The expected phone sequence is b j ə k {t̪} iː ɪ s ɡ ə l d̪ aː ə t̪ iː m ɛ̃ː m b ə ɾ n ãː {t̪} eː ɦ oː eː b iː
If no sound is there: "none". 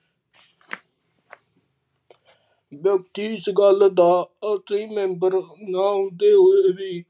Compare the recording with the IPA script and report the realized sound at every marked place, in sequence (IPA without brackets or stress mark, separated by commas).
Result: t̪, d̪